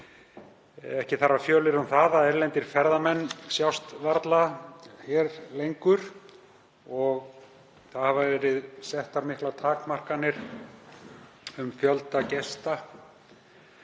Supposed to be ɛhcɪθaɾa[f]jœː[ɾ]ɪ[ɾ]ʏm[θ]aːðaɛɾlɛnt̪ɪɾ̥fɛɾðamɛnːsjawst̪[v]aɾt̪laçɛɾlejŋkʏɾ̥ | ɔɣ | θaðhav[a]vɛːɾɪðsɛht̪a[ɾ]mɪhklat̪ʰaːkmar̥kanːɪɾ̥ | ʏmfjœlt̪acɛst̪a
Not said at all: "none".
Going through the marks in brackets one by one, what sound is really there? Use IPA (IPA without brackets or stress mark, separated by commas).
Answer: f, l, ɾ, θ, v, a, ɾ